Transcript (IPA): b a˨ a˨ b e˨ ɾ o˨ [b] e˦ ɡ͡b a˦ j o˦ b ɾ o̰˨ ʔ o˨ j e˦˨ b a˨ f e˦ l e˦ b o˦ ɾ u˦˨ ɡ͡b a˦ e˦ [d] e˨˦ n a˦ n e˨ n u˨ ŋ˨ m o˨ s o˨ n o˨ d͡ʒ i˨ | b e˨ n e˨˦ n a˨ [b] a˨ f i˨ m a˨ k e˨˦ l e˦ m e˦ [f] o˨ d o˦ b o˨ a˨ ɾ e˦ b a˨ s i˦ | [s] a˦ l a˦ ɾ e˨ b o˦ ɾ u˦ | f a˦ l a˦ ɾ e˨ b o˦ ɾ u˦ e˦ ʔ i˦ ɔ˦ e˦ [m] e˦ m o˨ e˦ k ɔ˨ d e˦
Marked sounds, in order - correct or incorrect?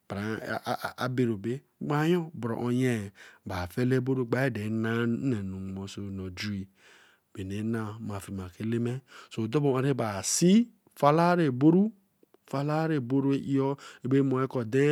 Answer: correct, correct, incorrect, incorrect, incorrect, incorrect

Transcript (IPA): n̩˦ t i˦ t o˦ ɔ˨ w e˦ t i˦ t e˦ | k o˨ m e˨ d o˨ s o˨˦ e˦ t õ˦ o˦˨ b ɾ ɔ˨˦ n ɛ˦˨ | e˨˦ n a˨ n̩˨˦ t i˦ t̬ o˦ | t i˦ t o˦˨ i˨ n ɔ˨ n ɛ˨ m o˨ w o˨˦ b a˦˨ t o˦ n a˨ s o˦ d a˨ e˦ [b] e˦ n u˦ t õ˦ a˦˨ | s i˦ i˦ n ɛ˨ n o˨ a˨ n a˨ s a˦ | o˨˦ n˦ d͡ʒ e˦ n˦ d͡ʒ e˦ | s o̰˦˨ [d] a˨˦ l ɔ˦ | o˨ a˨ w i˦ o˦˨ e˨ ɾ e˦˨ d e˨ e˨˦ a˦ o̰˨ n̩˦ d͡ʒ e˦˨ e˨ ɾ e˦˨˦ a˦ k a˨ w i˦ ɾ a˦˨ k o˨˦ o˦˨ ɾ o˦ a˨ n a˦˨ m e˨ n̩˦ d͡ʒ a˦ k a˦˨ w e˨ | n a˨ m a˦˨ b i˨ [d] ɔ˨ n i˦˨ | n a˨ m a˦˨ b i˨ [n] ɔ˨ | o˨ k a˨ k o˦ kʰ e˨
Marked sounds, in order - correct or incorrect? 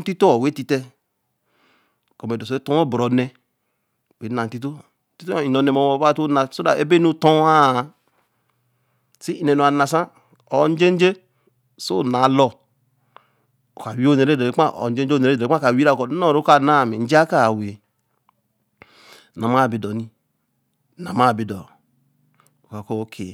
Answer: correct, incorrect, correct, incorrect

